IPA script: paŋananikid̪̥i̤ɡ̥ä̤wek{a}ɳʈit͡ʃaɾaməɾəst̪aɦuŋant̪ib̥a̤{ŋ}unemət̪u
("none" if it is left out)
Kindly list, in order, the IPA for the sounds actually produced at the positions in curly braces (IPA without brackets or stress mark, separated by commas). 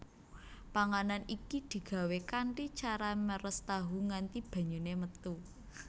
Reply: a, ɲ